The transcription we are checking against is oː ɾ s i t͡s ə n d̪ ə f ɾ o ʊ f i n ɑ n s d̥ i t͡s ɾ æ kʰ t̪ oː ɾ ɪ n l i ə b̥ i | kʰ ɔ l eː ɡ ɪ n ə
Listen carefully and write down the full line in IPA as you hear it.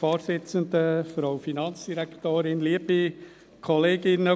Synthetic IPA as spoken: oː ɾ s ɪ t͡s ə n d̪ ə f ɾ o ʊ f i n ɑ n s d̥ i ɾ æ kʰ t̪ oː ɾ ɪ n l i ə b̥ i | kʰ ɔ l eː ɡ ɪ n ə